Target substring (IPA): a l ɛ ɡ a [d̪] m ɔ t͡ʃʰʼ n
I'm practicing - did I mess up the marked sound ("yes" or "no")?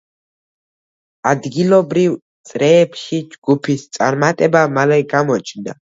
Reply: yes